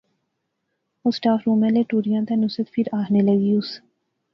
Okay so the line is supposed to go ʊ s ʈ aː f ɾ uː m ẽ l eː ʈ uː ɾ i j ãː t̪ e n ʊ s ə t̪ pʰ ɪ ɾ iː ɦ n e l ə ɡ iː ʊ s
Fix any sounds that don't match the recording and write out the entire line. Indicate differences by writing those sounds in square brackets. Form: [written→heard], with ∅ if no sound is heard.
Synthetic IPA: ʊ s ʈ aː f ɾ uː m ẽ l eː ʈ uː ɾ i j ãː t̪ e n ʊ s ə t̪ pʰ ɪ ɾ [iː→aː] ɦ n e l ə ɡ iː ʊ s